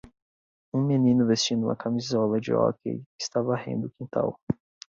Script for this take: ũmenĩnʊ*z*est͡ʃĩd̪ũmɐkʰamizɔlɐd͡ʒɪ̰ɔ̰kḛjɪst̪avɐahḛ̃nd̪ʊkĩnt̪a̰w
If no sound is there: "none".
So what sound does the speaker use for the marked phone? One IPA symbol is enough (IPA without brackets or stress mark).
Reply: v